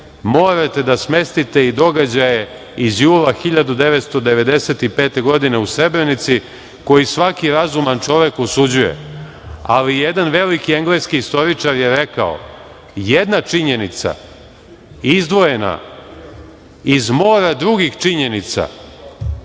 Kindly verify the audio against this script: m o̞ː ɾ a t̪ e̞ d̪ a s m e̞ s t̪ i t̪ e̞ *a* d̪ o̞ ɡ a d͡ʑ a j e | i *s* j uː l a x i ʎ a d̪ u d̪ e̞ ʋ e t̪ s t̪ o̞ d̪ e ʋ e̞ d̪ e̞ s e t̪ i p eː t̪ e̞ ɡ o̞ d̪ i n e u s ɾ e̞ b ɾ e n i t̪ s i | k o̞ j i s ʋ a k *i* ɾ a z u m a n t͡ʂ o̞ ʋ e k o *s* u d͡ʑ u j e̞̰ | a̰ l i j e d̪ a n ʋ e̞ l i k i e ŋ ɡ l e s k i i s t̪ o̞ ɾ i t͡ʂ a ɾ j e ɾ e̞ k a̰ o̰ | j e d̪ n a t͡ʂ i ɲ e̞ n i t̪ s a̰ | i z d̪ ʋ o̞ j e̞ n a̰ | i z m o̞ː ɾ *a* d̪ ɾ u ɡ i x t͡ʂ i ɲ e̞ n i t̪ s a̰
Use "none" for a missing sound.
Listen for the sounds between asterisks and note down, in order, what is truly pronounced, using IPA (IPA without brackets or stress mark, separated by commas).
i, z, i, s, a